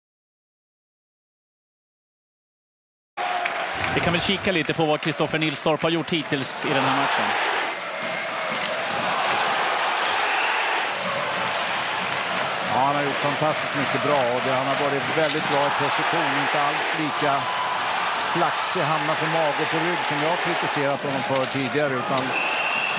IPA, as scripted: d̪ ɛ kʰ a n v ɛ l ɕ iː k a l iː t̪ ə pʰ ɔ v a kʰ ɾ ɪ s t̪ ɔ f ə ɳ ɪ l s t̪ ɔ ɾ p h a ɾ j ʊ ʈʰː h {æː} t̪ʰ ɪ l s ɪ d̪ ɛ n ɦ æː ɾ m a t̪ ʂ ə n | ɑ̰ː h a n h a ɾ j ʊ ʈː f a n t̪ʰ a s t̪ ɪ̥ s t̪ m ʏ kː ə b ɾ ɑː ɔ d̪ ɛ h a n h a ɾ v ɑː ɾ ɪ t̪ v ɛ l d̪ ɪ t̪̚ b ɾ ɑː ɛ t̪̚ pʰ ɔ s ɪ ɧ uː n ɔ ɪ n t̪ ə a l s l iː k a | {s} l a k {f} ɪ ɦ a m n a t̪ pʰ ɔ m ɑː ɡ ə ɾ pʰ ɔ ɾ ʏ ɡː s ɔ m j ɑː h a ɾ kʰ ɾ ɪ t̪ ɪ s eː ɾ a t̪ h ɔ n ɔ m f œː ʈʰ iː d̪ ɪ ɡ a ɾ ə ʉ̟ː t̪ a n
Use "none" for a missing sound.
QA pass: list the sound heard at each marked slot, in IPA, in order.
iː, f, s

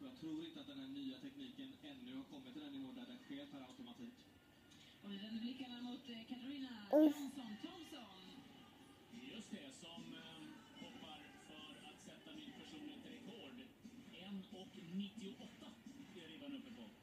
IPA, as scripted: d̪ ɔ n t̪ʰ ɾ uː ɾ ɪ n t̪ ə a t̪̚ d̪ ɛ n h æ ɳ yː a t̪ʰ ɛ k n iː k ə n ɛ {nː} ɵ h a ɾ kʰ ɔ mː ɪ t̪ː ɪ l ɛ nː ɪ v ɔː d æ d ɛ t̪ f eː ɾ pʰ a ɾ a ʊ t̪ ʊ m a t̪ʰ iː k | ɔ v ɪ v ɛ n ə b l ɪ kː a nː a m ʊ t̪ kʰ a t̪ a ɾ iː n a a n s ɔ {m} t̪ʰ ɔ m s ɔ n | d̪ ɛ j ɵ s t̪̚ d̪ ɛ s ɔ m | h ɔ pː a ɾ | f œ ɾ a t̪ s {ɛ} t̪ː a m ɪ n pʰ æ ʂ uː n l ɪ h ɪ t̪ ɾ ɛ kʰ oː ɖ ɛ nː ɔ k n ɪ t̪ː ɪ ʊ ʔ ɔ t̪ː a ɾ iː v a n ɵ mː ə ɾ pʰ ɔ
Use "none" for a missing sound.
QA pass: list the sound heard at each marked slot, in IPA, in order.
nː, n, ɛ

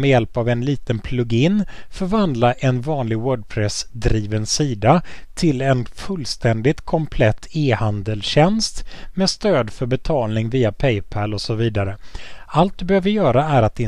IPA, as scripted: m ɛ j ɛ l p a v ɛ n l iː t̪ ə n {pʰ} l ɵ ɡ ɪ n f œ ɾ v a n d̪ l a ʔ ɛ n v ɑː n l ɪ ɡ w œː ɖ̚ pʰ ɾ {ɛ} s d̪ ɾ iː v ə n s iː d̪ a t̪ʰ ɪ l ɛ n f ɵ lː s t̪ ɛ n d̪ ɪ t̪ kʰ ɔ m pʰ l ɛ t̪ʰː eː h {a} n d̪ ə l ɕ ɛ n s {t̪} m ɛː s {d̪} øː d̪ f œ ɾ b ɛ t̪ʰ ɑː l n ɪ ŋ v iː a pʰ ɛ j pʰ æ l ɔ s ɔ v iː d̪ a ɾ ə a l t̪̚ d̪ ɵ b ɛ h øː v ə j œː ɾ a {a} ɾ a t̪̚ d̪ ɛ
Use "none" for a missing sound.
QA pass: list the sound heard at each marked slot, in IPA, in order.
pʰ, ɛ, a, t̪, t̪, æ

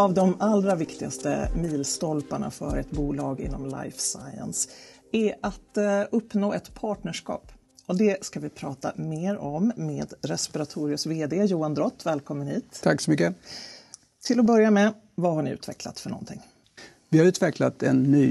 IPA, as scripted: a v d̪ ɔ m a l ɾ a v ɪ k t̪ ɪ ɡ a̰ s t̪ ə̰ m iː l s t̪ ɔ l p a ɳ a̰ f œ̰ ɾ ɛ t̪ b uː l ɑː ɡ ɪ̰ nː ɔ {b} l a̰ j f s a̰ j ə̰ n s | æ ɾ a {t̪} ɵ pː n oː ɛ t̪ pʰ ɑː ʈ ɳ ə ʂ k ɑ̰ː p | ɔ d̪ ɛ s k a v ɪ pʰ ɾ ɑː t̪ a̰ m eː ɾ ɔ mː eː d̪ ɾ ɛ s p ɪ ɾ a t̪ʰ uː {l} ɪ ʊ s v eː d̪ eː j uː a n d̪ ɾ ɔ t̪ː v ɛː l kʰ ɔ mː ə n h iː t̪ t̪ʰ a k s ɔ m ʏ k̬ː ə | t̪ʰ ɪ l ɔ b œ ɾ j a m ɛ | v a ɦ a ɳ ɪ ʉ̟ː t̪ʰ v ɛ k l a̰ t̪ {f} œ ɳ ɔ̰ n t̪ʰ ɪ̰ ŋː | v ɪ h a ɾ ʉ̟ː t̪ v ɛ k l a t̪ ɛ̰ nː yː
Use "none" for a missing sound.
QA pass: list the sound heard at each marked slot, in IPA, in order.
m, t̪, ɾ, f

